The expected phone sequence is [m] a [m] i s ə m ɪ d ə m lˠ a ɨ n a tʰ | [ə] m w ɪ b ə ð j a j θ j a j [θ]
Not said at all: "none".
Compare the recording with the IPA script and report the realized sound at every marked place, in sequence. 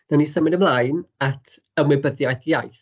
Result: n, n, ə, θ

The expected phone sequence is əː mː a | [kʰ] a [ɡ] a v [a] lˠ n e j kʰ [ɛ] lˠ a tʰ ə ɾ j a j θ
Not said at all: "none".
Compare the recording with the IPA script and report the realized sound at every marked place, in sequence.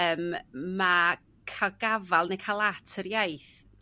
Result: kʰ, ɡ, a, a

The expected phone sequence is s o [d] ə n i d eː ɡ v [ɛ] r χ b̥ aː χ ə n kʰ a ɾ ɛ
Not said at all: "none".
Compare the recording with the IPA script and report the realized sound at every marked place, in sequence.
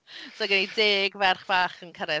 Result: ɡ, ɛ

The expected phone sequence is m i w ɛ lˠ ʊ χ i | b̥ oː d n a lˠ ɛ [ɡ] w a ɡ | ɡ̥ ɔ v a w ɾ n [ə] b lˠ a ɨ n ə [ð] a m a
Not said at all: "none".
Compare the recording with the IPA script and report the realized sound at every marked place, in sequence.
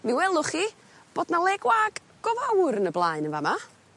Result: ɡ, ə, v

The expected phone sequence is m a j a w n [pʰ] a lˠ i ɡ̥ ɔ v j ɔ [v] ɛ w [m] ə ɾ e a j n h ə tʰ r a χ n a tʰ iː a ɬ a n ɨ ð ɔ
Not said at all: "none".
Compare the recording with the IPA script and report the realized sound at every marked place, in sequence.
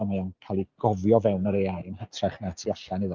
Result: kʰ, v, n

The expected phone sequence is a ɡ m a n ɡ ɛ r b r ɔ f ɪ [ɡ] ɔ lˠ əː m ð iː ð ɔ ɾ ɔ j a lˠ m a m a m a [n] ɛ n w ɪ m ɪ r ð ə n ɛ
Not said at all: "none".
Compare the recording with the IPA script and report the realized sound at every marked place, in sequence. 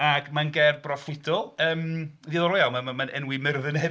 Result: d, n

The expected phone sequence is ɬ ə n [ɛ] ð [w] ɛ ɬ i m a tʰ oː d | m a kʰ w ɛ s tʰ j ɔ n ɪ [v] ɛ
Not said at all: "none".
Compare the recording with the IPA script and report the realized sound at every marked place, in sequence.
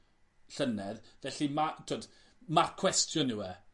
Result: ɛ, v, w

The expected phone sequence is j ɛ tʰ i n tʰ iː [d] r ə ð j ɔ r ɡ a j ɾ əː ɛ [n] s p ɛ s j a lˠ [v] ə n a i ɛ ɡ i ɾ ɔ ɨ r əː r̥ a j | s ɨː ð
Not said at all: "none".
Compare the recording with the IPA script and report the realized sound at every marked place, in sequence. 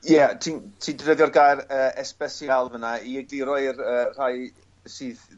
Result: d, none, v

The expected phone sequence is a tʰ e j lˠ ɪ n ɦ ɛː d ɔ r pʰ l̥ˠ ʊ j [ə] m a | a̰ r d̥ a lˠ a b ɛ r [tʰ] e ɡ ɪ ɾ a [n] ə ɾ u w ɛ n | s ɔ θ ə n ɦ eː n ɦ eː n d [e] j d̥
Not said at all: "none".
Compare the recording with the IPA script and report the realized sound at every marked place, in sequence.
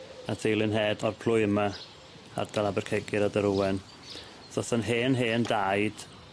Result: ə, kʰ, d, a

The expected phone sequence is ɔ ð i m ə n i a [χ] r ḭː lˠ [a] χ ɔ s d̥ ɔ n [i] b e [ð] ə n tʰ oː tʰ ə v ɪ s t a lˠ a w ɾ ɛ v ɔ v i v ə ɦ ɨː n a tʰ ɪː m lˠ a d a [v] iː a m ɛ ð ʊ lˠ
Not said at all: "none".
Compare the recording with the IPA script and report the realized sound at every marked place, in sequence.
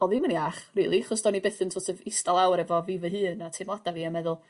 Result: χ, i, i, θ, v

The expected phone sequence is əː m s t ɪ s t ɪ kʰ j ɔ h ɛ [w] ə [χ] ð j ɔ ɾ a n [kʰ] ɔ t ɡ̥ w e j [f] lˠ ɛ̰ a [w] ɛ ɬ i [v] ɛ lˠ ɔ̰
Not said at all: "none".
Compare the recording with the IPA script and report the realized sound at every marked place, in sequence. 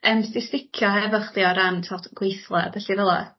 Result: v, χ, tʰ, θ, b, v

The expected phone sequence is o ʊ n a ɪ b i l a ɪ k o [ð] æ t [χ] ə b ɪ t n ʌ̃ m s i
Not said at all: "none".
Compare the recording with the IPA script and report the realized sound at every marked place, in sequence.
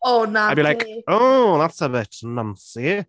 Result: ð, s

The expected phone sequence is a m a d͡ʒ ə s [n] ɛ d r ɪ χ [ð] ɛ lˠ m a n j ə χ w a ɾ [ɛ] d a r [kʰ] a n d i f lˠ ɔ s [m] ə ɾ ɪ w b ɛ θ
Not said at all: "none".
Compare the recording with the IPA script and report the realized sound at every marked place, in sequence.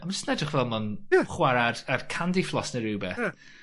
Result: n, v, a, kʰ, n

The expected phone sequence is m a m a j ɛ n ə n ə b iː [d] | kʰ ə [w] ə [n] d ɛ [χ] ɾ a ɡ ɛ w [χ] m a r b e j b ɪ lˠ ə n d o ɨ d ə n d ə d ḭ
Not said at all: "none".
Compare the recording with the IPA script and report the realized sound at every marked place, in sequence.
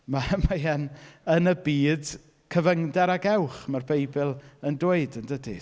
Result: d, v, ŋ, none, χ

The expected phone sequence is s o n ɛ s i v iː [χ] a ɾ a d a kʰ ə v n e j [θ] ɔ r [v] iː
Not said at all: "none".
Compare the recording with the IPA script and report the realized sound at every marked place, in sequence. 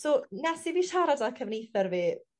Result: ʃ, θ, v

